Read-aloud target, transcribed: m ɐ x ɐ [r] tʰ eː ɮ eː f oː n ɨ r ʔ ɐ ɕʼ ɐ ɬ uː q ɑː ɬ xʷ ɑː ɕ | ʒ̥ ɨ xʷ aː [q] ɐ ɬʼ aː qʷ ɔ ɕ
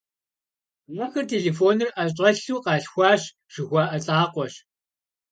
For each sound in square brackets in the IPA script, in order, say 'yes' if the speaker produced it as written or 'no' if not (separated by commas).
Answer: yes, no